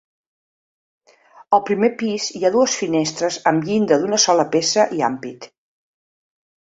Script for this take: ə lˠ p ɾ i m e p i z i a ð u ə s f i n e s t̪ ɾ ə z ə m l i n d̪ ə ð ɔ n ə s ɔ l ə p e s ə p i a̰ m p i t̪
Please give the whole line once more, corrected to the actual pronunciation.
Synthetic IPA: ə lˠ p ɾ i m e p i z i a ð u ə s f i n e s t̪ ɾ ə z ə m ʎ i n d̪ ə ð u n ə s ɔ l ə p e s ə ʔ i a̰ m p i t̪